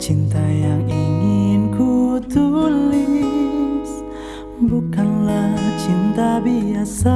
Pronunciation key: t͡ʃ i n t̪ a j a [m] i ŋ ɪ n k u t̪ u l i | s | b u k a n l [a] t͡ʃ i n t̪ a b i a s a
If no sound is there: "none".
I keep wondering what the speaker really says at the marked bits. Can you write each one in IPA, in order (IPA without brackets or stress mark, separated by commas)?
ŋ, a